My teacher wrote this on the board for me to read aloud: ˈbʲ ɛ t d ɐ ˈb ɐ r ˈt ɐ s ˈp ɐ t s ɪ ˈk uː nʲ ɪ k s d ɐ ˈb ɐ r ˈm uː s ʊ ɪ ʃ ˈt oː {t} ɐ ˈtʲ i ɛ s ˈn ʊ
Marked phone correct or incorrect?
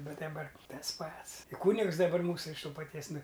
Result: incorrect